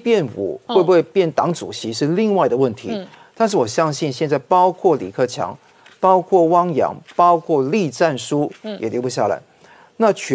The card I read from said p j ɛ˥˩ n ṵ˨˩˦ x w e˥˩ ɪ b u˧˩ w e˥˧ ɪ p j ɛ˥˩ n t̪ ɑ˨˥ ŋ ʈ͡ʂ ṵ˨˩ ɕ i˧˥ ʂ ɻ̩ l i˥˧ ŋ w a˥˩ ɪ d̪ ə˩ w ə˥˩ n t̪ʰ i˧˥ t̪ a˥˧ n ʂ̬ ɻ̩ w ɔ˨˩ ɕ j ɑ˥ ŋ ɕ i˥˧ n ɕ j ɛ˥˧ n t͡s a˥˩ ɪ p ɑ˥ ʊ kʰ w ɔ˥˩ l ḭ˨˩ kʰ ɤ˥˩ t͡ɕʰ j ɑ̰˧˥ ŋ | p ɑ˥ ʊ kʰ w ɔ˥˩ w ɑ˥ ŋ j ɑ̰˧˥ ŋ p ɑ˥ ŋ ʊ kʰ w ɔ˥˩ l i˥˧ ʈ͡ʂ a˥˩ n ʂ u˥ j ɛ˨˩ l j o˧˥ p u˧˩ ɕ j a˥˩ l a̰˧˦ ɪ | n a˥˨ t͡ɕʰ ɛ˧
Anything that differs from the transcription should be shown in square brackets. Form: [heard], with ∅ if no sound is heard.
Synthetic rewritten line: p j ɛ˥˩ n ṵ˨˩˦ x w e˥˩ ɪ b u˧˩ w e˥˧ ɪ p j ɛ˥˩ n t̪ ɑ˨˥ ŋ ʈ͡ʂ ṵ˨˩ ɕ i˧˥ ʂ ɻ̩ l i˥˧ ŋ w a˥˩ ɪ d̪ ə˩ w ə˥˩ n t̪ʰ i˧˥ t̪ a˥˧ n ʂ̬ ɻ̩ w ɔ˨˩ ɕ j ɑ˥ ŋ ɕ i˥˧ n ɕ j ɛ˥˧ n t͡s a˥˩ ɪ p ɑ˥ ʊ kʰ w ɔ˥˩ l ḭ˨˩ kʰ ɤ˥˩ t͡ɕʰ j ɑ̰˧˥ ŋ | p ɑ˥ ʊ kʰ w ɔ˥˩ w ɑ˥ ŋ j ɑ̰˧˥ ŋ p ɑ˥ [∅] ʊ kʰ w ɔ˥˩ l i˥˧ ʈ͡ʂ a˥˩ n ʂ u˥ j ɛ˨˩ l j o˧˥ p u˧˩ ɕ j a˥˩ l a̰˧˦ ɪ | n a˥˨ t͡ɕʰ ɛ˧